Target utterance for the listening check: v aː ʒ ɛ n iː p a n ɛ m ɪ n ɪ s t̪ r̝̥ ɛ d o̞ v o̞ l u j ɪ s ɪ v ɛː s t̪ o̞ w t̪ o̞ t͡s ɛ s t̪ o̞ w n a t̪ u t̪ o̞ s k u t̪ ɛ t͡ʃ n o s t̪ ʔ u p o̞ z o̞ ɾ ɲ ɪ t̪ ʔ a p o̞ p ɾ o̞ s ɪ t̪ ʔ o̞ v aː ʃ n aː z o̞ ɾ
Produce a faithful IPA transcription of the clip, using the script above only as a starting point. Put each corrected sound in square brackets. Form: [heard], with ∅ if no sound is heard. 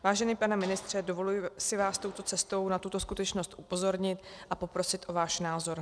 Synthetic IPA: v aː ʒ ɛ n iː p a n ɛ m ɪ n ɪ s t̪ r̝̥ ɛ d o̞ v o̞ l u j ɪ s ɪ v [aː] s t̪ o̞ w t̪ o̞ t͡s ɛ s t̪ o̞ w n a t̪ u t̪ o̞ s k u t̪ ɛ t͡ʃ n o s t̪ ʔ u p o̞ z o̞ ɾ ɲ ɪ t̪ ʔ a p o̞ p ɾ o̞ s ɪ t̪ ʔ o̞ v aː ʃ n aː z o̞ ɾ